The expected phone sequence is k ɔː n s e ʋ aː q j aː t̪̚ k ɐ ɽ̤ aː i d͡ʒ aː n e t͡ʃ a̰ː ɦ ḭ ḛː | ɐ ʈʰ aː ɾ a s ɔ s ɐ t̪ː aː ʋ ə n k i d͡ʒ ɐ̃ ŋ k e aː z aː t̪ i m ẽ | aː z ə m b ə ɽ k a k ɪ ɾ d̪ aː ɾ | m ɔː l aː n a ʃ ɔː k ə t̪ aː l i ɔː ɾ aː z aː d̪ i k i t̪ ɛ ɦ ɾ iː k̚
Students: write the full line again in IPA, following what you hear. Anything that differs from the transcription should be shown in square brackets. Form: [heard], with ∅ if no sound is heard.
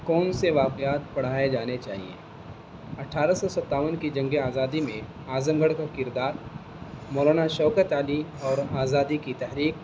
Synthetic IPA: k ɔː n s e ʋ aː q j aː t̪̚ [p] ɐ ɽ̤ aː [e] d͡ʒ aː n e t͡ʃ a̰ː ɦ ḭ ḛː | ɐ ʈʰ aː ɾ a s ɔ s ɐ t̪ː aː ʋ ə n k i d͡ʒ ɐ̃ ŋ [ɡ] e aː z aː [d̪] i m ẽ | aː z ə m [ɡ] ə ɽ k a k ɪ ɾ d̪ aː ɾ | m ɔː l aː n a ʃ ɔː k ə t̪ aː l i ɔː ɾ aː z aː d̪ i k i t̪ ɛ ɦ ɾ iː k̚